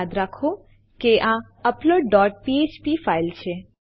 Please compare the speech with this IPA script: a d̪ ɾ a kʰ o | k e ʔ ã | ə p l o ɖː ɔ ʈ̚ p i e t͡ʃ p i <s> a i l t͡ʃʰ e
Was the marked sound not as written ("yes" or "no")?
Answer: yes